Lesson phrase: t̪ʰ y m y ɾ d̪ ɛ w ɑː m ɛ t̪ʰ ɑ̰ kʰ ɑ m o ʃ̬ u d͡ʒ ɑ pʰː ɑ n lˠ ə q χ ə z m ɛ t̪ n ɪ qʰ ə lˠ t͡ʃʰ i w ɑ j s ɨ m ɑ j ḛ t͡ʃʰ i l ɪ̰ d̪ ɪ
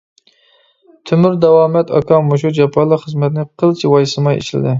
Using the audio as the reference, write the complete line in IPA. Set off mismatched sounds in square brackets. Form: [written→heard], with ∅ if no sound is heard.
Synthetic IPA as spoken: t̪ʰ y m y ɾ d̪ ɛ w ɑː m ɛ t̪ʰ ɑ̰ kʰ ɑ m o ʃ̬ u d͡ʒ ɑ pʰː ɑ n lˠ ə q χ ə z m ɛ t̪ n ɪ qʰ ə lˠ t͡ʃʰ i w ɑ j s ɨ m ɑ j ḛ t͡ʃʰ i l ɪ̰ d̪ ɪ

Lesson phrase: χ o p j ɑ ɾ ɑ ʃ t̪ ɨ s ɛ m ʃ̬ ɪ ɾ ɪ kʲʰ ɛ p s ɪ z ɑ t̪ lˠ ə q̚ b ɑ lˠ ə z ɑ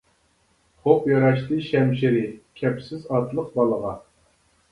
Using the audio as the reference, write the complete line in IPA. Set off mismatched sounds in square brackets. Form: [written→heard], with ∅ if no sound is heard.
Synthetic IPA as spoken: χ o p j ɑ ɾ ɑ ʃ t̪ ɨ [s→ʃ] ɛ m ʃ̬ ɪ ɾ ɪ kʲʰ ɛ p s ɪ z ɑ t̪ lˠ ə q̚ b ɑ lˠ ə [z→ʁ] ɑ

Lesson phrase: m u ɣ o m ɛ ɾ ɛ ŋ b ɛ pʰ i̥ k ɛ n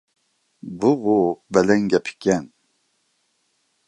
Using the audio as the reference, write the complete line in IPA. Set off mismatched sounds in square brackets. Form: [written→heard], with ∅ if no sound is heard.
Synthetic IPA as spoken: [m→b] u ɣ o [m→b] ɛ [ɾ→l] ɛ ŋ [b→ɡ] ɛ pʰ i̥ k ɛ n

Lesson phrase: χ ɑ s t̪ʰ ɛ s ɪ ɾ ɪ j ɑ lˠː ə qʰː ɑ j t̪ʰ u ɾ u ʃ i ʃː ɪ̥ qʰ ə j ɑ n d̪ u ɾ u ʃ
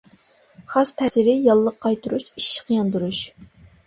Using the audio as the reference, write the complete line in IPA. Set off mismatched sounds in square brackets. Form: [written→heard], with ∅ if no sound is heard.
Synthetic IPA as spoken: χ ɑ s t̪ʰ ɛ s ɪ ɾ ɪ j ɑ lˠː ə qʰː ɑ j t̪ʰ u ɾ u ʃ i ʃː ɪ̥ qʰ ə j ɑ n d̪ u ɾ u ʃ

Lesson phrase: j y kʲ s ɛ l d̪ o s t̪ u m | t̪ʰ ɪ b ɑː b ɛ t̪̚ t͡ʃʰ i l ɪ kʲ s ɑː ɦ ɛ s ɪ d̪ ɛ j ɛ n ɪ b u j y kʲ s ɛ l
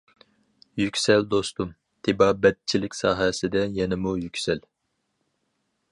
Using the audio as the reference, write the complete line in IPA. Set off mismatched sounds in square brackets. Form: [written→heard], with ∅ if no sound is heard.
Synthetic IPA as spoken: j y kʲ s ɛ l d̪ o s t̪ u m | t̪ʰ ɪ b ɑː b ɛ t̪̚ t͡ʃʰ i l ɪ kʲ s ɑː ɦ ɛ s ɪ d̪ ɛ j ɛ n ɪ [b→m] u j y kʲ s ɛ l

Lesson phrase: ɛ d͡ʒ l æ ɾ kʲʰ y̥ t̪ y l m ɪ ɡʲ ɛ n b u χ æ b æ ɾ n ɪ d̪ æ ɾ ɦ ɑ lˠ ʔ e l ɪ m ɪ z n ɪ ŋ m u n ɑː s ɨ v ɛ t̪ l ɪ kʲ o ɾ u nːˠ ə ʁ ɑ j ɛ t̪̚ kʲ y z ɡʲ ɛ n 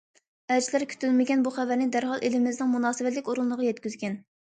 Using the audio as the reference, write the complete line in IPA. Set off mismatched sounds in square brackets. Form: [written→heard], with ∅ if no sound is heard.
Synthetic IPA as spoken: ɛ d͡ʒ l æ ɾ kʲʰ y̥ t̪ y l m ɪ ɡʲ ɛ n b u χ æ [b→v] æ ɾ n ɪ d̪ æ ɾ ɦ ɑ lˠ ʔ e l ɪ m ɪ z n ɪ ŋ m u n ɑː s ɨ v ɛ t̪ l ɪ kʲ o ɾ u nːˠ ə ʁ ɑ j ɛ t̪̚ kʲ y z ɡʲ ɛ n

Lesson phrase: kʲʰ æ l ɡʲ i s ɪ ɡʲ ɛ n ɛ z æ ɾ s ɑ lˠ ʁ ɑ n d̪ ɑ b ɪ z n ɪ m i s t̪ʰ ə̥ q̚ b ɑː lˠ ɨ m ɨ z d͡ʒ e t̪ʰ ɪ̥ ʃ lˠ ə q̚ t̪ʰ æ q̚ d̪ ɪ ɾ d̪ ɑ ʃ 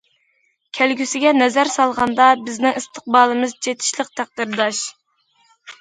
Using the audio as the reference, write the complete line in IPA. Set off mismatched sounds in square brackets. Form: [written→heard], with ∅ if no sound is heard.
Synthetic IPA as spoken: kʲʰ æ l ɡʲ [i→y] s ɪ ɡʲ ɛ n ɛ z æ ɾ s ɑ lˠ ʁ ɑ n d̪ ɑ b ɪ z n ɪ [m→ŋ] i s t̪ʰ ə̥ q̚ b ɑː lˠ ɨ m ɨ z d͡ʒ e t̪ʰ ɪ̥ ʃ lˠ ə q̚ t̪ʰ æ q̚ d̪ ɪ ɾ d̪ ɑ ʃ

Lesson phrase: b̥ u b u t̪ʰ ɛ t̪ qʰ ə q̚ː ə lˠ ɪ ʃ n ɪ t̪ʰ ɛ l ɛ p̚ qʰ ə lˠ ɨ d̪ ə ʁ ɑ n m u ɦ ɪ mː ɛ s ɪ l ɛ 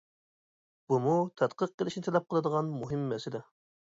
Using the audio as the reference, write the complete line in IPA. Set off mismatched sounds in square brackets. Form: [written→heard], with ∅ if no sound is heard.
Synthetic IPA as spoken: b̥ u [b→m] u t̪ʰ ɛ t̪ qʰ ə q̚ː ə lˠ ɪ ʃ n ɪ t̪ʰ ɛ l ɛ p̚ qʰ ə lˠ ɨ d̪ ə ʁ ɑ n m u ɦ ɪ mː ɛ s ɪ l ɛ

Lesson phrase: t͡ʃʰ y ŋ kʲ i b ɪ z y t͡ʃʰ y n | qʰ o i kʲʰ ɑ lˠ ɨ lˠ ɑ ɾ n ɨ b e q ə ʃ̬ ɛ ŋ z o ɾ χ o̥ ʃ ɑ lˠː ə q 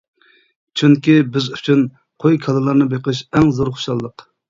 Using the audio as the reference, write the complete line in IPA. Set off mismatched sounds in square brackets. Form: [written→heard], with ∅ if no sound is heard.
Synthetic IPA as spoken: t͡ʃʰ y ŋ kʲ i b ɪ z y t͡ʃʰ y n | qʰ o [i→j] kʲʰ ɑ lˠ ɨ lˠ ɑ ɾ n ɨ b e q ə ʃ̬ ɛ ŋ z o ɾ χ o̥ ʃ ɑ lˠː ə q

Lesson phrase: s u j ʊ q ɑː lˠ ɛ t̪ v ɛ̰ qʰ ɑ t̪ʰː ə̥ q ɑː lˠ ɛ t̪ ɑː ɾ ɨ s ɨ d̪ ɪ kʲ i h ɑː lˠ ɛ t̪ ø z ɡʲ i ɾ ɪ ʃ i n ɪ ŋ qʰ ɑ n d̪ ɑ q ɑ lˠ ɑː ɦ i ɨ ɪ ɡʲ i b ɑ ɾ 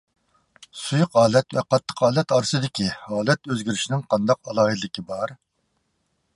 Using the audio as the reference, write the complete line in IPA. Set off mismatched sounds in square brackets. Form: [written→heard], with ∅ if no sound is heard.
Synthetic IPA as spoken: s u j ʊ q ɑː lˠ ɛ t̪ v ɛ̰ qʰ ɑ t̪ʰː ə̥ q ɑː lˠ ɛ t̪ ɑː ɾ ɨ s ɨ d̪ ɪ kʲ i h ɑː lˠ ɛ t̪ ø z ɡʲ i ɾ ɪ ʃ i n ɪ ŋ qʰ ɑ n d̪ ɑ q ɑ lˠ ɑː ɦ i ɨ ɪ [ɡʲ→kʲ] i b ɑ ɾ

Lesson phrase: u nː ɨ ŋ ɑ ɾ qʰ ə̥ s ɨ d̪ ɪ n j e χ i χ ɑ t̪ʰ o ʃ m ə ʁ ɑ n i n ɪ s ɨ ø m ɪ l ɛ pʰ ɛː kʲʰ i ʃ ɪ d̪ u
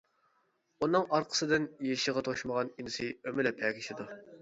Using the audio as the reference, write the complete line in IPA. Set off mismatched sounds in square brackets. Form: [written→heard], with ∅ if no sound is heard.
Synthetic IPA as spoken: u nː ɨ ŋ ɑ ɾ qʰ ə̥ s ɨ d̪ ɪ n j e [χ→ʃ] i [χ→ʁ] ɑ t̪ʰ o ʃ m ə ʁ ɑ n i n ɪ s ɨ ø m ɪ l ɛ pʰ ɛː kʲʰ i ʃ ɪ d̪ u

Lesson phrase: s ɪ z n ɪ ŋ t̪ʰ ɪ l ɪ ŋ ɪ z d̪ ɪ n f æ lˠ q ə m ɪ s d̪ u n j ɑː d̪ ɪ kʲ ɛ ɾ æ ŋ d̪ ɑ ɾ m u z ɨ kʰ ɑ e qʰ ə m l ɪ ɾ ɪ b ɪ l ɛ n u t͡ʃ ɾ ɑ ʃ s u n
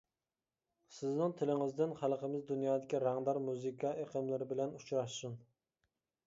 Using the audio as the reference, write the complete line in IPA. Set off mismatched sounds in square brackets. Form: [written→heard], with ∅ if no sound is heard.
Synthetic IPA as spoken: s ɪ z n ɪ ŋ t̪ʰ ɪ l ɪ ŋ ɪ z d̪ ɪ n [f→χ] æ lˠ q ə m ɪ [s→z] d̪ u n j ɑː d̪ ɪ kʲ [ɛ→i] ɾ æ ŋ d̪ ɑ ɾ m u z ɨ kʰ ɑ e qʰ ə m l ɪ ɾ ɪ b ɪ l ɛ n u t͡ʃ ɾ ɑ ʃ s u n

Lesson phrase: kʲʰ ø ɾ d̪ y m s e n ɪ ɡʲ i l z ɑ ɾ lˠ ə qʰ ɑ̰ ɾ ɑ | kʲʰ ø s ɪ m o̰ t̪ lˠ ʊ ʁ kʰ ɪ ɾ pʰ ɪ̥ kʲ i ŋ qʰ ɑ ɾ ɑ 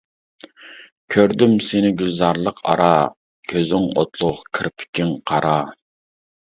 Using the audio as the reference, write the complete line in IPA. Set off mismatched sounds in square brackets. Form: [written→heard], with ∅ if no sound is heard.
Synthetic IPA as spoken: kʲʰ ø ɾ d̪ y m s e n ɪ ɡʲ [i→y] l z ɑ ɾ lˠ ə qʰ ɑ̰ ɾ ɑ | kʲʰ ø [s→z] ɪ [m→ŋ] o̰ t̪ lˠ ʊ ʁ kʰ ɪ ɾ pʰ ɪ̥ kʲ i ŋ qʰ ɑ ɾ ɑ

